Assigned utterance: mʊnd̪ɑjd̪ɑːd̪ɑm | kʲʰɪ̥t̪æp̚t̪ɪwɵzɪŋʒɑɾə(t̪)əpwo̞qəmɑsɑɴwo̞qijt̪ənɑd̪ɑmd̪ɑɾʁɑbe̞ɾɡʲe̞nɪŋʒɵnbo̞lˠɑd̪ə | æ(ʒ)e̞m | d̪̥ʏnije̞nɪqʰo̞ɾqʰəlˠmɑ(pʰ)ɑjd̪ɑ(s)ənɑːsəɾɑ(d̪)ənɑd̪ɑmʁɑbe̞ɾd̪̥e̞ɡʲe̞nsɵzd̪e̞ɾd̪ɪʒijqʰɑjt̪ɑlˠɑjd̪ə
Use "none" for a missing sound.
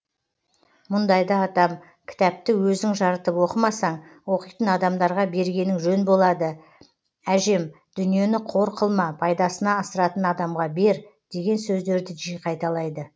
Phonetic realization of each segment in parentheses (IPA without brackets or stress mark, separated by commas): t̪, ʒ, pʰ, s, t̪